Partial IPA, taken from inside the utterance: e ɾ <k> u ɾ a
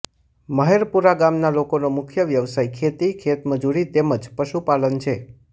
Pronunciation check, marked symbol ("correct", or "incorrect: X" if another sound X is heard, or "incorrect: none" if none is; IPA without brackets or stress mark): incorrect: p